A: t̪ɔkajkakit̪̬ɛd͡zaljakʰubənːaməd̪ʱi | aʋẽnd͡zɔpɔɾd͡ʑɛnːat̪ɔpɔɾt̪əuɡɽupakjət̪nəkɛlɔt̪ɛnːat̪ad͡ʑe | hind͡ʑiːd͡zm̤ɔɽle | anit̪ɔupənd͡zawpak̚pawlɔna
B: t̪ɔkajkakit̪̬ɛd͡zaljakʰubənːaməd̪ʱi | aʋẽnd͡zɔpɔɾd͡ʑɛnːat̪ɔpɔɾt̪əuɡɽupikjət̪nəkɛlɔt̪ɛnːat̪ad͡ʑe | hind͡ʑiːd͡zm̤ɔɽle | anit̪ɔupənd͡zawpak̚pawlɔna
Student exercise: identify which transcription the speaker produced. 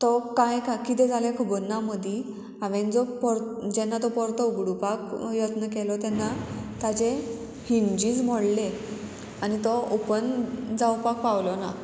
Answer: A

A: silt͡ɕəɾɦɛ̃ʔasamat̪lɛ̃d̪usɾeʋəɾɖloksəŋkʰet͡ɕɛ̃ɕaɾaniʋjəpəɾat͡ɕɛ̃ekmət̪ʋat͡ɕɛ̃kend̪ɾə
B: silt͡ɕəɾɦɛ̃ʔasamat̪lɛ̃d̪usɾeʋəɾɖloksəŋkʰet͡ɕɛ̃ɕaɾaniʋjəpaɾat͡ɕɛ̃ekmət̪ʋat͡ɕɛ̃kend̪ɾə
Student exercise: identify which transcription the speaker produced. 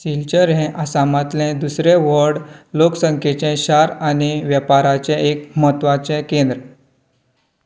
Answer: B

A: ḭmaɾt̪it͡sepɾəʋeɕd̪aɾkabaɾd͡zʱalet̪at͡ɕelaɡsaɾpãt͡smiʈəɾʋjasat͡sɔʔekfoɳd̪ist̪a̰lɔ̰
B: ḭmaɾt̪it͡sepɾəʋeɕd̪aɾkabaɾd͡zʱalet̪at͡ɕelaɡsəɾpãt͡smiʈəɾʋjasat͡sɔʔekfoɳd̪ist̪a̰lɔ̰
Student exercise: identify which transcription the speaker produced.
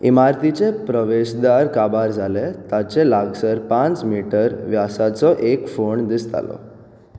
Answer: B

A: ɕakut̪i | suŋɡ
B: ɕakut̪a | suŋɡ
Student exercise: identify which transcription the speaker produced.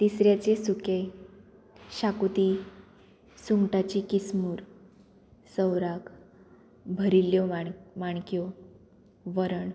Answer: A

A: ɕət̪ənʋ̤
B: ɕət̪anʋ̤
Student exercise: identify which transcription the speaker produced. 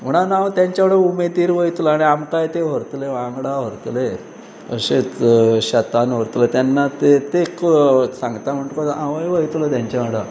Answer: B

